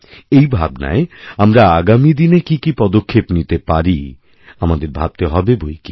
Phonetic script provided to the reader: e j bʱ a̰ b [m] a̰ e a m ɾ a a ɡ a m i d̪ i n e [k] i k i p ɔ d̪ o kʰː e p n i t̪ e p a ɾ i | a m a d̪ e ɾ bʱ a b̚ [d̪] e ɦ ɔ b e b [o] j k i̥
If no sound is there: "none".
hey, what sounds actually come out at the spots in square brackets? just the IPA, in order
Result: n, k, t̪, o

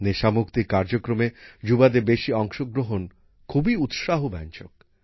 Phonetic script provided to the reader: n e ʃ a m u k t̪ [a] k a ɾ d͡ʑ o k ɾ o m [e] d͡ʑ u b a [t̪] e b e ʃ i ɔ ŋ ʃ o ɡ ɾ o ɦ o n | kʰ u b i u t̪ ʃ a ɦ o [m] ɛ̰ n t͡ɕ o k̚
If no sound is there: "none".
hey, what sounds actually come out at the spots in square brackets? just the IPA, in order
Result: i, e, d̪, b

